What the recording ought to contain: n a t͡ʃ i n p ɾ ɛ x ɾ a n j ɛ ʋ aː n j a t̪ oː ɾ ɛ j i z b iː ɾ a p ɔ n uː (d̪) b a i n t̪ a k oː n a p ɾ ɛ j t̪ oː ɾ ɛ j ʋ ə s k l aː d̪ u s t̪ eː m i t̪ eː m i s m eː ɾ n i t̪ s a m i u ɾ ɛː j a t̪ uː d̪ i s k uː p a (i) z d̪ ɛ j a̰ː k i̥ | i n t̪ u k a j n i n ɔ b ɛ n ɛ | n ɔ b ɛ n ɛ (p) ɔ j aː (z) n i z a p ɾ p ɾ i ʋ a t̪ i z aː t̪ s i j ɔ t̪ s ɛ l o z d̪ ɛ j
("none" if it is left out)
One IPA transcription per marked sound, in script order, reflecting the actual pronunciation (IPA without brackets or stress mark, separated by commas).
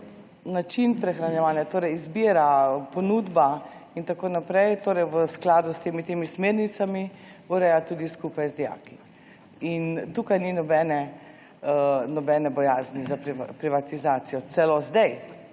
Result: d̪, j, b, z